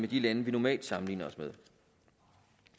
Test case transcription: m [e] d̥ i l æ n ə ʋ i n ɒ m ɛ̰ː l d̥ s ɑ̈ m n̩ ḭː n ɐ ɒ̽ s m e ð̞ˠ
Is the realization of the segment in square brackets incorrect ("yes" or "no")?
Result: no